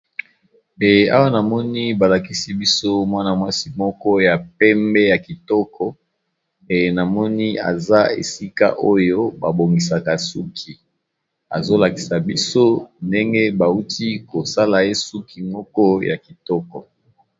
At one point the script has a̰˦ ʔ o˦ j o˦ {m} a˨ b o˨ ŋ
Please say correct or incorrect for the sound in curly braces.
incorrect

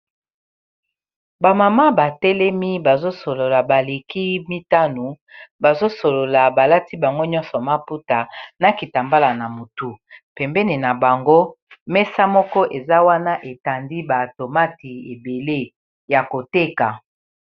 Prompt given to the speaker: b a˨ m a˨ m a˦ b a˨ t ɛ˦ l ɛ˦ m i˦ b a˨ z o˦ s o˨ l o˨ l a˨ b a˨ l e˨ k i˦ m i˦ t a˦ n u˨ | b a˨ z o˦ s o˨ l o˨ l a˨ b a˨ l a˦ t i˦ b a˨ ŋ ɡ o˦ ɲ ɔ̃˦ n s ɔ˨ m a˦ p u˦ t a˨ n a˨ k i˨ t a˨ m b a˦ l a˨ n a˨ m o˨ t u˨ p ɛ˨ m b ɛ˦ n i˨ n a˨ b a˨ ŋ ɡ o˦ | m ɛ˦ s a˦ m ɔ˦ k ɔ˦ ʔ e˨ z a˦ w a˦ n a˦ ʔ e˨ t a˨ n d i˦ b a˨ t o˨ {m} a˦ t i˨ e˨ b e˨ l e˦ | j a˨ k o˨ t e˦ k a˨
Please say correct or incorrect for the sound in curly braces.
correct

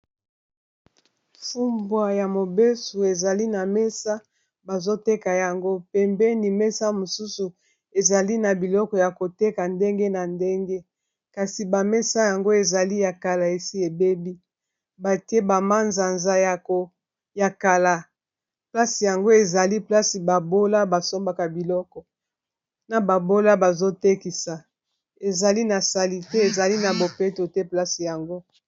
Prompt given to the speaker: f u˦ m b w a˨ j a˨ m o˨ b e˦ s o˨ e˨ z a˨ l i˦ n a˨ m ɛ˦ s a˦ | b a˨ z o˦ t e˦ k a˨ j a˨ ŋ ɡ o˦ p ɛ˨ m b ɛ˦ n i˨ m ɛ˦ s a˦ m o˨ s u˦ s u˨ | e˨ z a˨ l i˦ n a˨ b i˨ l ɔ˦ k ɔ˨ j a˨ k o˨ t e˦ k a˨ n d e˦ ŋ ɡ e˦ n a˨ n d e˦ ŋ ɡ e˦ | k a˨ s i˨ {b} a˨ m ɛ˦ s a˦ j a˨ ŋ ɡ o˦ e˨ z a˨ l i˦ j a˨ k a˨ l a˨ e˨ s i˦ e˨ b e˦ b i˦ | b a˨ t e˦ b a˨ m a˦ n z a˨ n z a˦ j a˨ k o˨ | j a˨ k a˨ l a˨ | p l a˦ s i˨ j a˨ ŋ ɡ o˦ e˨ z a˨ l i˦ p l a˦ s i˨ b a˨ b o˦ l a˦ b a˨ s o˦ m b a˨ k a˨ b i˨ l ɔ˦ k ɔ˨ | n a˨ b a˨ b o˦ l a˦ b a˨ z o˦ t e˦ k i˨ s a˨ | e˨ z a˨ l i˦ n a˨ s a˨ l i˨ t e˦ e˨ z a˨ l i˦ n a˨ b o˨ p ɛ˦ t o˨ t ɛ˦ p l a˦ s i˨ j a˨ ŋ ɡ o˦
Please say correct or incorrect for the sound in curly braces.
correct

